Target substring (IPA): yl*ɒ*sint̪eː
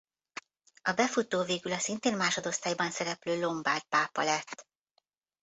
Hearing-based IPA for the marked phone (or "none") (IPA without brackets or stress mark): ɒ